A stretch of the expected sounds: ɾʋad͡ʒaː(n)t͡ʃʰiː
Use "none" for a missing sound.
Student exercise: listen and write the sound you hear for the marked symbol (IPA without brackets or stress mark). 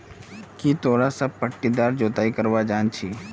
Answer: n